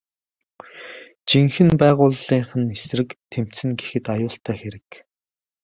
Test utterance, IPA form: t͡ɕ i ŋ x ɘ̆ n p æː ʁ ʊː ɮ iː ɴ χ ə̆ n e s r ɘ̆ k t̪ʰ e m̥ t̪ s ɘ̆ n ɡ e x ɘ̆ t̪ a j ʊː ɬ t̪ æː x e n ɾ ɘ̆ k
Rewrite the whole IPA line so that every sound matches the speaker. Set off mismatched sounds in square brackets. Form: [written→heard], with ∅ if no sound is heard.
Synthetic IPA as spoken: t͡ɕ i ŋ x ɘ̆ n p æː ʁ ʊː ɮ iː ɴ χ ə̆ n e s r ɘ̆ k t̪ʰ e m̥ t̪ s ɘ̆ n ɡ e x ɘ̆ t̪ a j ʊː ɬ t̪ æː x e [n→∅] ɾ ɘ̆ k